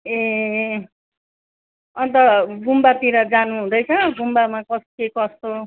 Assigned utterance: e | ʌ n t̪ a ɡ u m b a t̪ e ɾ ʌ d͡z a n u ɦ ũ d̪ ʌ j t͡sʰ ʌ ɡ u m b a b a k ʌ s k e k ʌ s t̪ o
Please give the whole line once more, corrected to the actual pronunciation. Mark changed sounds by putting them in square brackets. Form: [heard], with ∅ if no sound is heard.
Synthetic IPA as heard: e | ʌ n t̪ [ʌ] ɡ u m b a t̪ [i] ɾ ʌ d͡z a n u ɦ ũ d̪ ʌ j t͡sʰ ʌ ɡ u m b a [m] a k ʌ s k e k ʌ s t̪ o